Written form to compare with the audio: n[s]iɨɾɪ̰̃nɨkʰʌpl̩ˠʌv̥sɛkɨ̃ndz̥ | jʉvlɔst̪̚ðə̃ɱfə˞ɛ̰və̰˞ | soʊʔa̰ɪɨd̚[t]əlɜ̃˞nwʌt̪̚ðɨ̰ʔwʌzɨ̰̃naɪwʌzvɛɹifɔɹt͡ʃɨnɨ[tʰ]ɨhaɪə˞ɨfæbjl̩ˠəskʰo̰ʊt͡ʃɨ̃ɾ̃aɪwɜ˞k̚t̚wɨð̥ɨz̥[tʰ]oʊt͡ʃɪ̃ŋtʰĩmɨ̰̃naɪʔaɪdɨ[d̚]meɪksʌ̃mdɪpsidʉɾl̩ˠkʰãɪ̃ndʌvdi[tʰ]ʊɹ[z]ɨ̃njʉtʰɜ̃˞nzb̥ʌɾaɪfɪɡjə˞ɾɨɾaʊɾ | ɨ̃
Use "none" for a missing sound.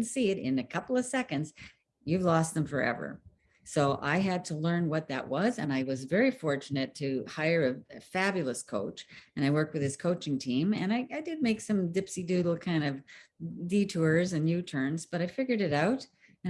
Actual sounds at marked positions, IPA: s, tʰ, tʰ, kʰ, d̚, tʰ, z

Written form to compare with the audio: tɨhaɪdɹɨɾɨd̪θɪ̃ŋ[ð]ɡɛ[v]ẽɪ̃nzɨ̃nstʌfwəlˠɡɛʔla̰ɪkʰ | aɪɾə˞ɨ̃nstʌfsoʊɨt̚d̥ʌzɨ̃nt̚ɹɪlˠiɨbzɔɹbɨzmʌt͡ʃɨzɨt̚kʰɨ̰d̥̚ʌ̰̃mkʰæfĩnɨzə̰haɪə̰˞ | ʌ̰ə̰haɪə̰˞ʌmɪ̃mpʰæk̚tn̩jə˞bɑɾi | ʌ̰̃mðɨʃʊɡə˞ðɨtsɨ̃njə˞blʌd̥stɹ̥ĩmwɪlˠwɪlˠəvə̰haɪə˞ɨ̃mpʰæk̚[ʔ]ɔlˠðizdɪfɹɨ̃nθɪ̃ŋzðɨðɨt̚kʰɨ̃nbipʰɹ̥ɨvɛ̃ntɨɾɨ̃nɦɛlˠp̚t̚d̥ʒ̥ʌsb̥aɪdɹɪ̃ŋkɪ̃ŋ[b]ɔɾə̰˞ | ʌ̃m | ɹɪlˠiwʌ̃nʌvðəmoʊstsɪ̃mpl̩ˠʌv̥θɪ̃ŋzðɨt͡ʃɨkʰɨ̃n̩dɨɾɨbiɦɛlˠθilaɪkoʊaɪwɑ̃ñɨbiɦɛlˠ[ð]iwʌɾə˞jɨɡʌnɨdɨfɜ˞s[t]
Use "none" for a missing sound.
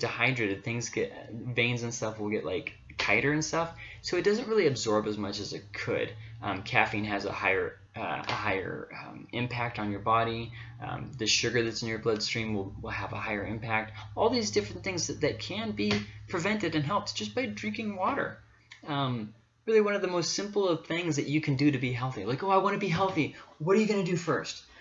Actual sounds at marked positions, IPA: z, v, t, w, θ, t

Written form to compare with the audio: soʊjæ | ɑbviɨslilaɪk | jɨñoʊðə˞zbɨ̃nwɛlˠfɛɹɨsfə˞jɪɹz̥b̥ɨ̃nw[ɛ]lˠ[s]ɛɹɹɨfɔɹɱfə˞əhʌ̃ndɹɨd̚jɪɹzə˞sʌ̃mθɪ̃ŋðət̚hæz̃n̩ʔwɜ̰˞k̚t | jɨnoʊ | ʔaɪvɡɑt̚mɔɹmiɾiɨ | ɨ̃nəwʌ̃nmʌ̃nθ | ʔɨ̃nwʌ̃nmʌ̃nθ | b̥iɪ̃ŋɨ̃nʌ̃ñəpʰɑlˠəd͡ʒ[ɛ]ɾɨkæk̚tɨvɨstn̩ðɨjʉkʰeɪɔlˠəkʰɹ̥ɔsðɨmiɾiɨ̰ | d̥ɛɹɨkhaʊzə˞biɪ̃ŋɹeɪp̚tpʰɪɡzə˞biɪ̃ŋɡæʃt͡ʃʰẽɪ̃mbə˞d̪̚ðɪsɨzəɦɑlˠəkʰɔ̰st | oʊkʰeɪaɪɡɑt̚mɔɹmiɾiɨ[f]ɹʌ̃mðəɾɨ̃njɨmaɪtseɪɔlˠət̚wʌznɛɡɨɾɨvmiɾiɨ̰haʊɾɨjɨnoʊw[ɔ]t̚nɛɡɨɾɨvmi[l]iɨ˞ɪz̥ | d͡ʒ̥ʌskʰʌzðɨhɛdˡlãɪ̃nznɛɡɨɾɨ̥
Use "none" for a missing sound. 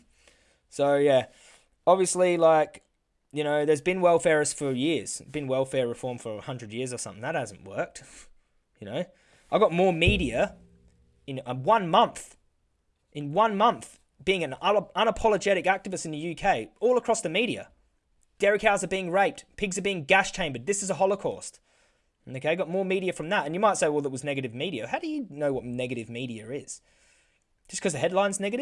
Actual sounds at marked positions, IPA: ɛ, f, ɛ, f, ʌ, ɾ

